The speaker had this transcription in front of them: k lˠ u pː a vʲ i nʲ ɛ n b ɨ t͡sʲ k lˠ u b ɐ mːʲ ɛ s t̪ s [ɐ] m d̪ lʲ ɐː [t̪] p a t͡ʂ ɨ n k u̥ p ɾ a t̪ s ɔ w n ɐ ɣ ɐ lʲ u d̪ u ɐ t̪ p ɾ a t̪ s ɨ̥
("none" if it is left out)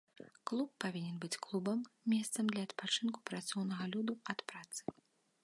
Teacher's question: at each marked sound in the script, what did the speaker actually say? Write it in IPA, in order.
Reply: ɐ, t̪

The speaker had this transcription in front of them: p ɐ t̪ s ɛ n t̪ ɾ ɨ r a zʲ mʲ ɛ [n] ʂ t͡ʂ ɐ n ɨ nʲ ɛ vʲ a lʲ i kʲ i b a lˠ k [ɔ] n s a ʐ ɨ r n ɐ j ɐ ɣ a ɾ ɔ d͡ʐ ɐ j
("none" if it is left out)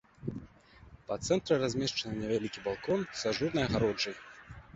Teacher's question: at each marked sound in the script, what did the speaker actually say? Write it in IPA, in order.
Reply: none, ɔ

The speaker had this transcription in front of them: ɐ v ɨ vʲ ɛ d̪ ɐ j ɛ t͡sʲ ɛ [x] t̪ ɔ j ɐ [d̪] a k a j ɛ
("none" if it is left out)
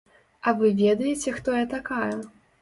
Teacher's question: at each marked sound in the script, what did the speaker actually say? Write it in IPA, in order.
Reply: x, t̪

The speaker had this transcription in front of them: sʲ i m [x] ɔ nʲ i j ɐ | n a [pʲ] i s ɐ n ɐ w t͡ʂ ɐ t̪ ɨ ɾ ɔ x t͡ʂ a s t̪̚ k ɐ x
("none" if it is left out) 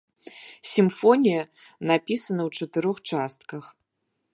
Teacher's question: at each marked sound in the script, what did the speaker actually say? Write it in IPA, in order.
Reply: f, pʲ

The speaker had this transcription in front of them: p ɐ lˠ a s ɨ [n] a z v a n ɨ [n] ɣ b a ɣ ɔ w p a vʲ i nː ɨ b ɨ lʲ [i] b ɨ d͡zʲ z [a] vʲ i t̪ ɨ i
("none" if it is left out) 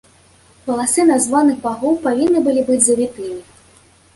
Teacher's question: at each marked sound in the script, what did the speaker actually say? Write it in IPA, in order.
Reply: n, none, i, ɐ

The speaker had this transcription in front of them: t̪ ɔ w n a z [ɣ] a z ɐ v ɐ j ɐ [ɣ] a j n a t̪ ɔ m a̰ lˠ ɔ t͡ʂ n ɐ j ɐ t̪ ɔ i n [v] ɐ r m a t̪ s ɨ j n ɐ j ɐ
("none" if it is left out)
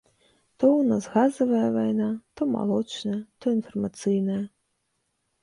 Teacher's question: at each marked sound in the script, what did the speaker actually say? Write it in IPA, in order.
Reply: ɣ, v, f

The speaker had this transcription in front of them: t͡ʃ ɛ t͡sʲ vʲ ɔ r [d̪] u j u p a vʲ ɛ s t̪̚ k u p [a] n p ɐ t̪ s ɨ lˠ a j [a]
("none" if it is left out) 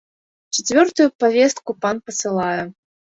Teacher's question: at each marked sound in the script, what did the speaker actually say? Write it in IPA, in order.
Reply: t̪, a, ɛ

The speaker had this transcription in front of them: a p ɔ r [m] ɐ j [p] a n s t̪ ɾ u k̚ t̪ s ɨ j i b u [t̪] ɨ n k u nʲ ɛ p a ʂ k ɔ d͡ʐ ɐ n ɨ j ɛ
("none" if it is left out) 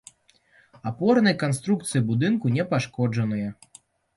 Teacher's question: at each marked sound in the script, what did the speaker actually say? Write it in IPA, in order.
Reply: n, k, d̪

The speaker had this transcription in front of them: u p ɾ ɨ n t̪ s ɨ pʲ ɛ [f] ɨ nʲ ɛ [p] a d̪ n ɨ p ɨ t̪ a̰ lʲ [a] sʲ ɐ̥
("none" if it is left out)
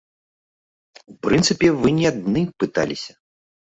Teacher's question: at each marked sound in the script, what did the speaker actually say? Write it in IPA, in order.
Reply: v, none, i

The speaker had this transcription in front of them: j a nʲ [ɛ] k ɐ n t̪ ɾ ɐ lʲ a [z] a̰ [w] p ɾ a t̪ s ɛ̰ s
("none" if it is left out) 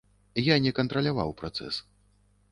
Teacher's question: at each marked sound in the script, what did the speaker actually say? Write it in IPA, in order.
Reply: ɛ, v, w

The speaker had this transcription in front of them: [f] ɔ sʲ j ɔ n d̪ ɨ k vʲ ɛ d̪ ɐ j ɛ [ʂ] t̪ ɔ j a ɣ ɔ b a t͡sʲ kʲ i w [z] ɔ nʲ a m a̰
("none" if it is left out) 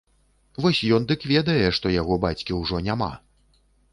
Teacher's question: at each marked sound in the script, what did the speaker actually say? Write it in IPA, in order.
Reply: v, ʂ, ʐ

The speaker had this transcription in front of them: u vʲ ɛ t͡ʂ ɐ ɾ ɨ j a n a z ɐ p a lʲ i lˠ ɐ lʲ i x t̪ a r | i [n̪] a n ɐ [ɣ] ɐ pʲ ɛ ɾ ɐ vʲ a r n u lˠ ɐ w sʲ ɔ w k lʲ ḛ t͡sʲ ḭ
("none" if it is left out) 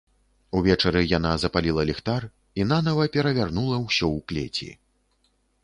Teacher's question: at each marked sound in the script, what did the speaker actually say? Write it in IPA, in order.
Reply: n̪, v

